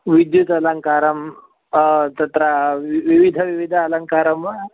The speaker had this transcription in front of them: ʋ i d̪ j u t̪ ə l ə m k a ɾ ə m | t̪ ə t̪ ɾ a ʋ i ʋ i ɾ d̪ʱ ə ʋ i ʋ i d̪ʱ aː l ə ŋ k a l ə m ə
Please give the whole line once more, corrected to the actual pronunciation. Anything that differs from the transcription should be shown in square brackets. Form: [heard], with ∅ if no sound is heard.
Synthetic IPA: ʋ i d̪ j u t̪ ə l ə [ŋ] k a ɾ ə m | t̪ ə t̪ ɾ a ʋ i ʋ i [∅] d̪ʱ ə ʋ i ʋ i d̪ʱ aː l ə ŋ k a [ɾ] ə m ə

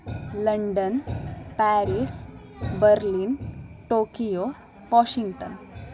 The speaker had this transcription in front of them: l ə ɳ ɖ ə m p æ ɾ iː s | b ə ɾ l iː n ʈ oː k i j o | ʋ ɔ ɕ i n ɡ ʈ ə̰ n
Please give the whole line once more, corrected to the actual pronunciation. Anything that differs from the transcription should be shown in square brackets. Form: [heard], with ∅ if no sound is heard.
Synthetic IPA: l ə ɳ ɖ ə [n] p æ ɾ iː s | b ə ɾ l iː n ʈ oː k i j o | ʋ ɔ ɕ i [ŋ] ɡ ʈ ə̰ n

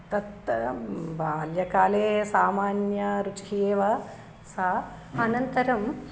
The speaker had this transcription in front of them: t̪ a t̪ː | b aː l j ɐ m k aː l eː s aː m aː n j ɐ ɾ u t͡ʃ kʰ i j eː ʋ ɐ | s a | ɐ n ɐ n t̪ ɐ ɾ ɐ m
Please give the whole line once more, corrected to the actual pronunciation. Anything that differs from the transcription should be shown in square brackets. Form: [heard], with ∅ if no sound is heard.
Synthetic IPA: t̪ [ɐ] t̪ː | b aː l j ɐ [∅] k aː l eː s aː m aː n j ɐ ɾ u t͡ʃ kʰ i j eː ʋ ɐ | s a | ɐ n ɐ n t̪ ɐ ɾ ɐ m

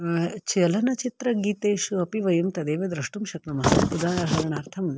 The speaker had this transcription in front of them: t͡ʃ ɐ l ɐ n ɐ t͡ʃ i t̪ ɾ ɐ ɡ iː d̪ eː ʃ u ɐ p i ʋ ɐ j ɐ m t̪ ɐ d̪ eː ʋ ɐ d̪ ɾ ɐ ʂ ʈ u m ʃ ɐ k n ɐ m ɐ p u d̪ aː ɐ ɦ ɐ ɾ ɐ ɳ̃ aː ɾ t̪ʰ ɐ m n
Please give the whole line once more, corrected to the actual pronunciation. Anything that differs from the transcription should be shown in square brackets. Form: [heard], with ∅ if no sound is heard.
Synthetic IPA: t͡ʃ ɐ l ɐ n ɐ t͡ʃ i t̪ ɾ ɐ ɡ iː [t̪] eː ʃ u ɐ p i ʋ ɐ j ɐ m t̪ ɐ d̪ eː ʋ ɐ d̪ ɾ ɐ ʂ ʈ u m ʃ ɐ k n ɐ m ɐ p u d̪ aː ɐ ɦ ɐ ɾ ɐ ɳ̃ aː ɾ t̪ʰ ɐ m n

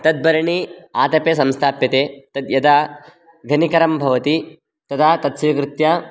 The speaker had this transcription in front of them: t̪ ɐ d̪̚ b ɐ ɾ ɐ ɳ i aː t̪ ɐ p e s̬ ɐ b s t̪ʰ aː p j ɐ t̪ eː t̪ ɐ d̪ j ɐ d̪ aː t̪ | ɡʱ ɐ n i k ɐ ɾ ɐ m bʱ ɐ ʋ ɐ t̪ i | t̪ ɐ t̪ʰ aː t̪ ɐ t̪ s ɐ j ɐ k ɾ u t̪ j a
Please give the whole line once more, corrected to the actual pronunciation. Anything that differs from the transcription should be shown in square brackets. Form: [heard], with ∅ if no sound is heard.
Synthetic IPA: t̪ ɐ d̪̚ b ɐ ɾ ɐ ɳ i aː t̪ ɐ p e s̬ ɐ [m] s t̪ʰ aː p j ɐ t̪ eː t̪ ɐ d̪ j ɐ d̪ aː [∅] | ɡʱ ɐ n i k ɐ ɾ ɐ m bʱ ɐ ʋ ɐ t̪ i | t̪ ɐ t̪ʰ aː t̪ ɐ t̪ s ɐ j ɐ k ɾ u t̪ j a

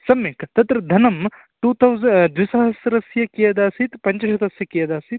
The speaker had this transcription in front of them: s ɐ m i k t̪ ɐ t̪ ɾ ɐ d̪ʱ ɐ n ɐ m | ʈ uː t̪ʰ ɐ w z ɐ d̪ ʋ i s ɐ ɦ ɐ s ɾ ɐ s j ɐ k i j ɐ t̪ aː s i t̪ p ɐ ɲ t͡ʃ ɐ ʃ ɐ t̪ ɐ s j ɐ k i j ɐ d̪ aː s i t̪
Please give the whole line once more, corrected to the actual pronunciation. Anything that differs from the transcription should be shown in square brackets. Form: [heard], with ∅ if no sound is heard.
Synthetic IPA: s ɐ m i k t̪ ɐ t̪ ɾ ɐ d̪ʱ ɐ n ɐ m | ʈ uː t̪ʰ ɐ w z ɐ d̪ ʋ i s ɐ ɦ ɐ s ɾ ɐ s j ɐ k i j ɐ [d̪] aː s i t̪ p ɐ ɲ t͡ʃ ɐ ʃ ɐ t̪ ɐ s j ɐ k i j ɐ d̪ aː s i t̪

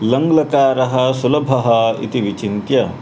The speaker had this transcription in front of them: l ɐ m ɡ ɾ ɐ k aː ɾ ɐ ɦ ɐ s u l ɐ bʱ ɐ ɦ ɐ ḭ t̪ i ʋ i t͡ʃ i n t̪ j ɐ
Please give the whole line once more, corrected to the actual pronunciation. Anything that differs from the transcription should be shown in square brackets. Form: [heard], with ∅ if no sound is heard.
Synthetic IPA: l ɐ [ŋ] ɡ [l] ɐ k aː ɾ ɐ ɦ ɐ s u l ɐ bʱ ɐ ɦ ɐ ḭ t̪ i ʋ i t͡ʃ i n t̪ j ɐ

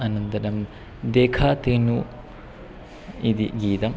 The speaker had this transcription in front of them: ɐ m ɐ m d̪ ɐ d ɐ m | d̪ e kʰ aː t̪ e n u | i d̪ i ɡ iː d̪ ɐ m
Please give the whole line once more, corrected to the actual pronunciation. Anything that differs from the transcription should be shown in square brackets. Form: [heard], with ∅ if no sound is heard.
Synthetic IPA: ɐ [n] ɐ [n] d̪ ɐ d ɐ m | d̪ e kʰ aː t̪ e n u | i d̪ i ɡ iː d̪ ɐ m

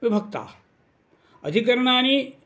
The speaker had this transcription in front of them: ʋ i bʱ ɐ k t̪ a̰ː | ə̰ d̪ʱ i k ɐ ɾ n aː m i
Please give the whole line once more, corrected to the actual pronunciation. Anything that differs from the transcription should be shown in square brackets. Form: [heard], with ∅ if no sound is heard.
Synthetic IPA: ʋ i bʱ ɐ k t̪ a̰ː | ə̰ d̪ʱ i k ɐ ɾ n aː [n] i

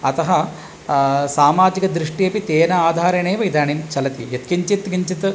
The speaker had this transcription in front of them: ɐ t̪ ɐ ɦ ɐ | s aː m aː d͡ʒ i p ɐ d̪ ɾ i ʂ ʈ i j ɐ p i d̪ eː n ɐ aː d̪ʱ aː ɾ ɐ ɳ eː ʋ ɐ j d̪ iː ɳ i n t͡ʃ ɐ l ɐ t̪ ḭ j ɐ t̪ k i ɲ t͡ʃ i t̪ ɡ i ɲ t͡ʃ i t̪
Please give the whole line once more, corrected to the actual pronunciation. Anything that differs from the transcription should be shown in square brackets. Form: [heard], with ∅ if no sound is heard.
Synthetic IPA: ɐ t̪ ɐ ɦ ɐ | s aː m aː d͡ʒ i [k] ɐ d̪ ɾ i ʂ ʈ i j ɐ p i [t̪] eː n ɐ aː d̪ʱ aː ɾ ɐ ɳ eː ʋ ɐ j d̪ [aː] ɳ i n t͡ʃ ɐ l ɐ t̪ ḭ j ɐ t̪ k i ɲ t͡ʃ i t̪ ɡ i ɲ t͡ʃ i t̪

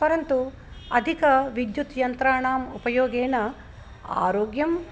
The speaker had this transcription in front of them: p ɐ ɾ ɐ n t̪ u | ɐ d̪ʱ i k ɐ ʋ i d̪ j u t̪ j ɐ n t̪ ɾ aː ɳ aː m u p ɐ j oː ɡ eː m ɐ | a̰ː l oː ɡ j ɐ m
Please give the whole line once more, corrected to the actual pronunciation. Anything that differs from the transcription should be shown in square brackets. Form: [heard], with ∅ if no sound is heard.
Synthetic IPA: p ɐ ɾ ɐ n t̪ u | ɐ d̪ʱ i k ɐ ʋ i d̪ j u t̪ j ɐ n t̪ ɾ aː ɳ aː m u p ɐ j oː ɡ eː [n] ɐ | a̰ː [ɾ] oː ɡ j ɐ m

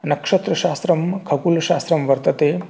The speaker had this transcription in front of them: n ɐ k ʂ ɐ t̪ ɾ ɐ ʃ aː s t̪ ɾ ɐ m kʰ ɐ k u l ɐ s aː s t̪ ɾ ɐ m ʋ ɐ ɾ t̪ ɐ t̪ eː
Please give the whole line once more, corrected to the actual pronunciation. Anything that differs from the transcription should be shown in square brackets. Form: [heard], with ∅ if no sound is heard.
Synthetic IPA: n ɐ k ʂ ɐ t̪ ɾ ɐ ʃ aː s t̪ ɾ ɐ m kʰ ɐ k u l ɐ [ʃ] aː s t̪ ɾ ɐ m ʋ ɐ ɾ t̪ ɐ t̪ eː

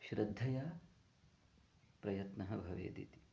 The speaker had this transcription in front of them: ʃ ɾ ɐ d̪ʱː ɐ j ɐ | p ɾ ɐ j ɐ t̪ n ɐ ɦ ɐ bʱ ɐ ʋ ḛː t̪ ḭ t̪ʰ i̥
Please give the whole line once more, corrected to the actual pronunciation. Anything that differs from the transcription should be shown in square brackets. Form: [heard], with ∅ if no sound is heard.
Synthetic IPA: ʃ ɾ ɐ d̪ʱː ɐ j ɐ | p ɾ ɐ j ɐ t̪ n ɐ ɦ ɐ bʱ ɐ ʋ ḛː [d̪] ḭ [t̪] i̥

